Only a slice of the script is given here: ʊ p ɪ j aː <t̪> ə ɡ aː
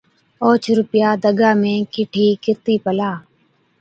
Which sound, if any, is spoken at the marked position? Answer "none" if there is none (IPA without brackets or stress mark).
d̪